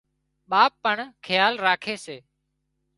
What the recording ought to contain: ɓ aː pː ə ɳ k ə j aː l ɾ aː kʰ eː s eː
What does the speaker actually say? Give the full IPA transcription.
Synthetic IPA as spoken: ɓ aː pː ə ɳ kʰ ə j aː l ɾ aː kʰ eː s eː